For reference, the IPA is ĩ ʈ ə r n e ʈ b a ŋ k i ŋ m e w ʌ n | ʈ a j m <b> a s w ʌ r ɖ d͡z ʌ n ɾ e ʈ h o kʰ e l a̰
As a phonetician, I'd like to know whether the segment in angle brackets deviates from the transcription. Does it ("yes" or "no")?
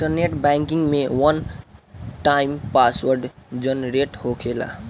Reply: yes